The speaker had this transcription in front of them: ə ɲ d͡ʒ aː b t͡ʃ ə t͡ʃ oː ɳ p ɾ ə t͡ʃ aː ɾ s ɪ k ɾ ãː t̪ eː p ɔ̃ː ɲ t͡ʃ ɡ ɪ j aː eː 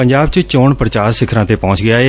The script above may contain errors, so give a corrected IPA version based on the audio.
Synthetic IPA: ə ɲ d͡ʒ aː b t͡ʃ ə t͡ʃ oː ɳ p ɾ ə t͡ʃ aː ɾ s ɪ kʰ ɾ ãː t̪ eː p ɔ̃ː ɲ t͡ʃ ɡ ɪ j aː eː